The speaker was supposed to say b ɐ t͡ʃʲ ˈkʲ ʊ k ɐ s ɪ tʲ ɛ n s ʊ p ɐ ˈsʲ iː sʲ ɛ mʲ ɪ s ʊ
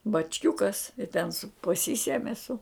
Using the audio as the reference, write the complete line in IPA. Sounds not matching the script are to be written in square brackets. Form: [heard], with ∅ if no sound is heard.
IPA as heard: b ɐ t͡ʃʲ ˈkʲ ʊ k ɐ s ɪ tʲ ɛ n s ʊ p ɐ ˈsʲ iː sʲ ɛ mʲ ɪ s ʊ